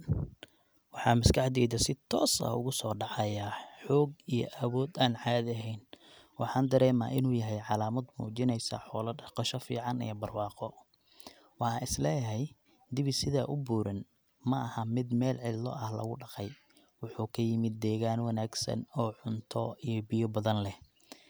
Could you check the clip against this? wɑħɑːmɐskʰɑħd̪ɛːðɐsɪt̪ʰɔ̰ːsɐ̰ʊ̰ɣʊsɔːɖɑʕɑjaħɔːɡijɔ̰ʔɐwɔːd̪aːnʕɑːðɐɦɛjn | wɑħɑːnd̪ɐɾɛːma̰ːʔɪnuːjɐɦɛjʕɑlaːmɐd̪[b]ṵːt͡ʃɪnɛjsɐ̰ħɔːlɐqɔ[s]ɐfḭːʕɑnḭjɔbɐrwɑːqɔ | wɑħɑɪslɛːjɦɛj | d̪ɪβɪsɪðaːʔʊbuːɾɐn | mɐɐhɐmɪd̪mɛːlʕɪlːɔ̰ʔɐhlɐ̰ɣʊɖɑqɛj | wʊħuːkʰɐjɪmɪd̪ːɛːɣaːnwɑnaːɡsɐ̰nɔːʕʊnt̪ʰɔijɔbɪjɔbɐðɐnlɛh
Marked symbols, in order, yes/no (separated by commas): no, no